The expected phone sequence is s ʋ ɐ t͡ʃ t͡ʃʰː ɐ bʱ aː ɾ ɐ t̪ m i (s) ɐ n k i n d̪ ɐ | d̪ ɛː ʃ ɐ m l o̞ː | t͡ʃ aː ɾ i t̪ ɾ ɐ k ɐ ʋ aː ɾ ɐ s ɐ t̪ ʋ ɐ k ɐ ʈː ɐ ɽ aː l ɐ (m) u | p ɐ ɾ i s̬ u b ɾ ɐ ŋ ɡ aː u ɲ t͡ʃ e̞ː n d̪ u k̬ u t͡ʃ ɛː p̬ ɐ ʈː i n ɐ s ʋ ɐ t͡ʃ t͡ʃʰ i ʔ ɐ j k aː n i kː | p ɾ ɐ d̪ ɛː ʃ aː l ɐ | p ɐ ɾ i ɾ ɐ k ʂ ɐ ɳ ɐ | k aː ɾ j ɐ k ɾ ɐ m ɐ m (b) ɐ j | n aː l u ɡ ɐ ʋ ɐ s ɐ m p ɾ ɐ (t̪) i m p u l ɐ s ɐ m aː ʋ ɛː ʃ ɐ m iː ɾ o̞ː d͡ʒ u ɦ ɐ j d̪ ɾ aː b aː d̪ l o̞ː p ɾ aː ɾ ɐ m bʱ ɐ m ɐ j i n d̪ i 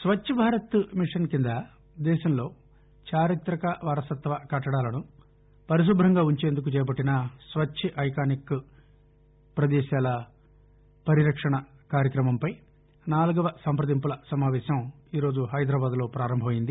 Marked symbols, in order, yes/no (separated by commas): no, no, no, no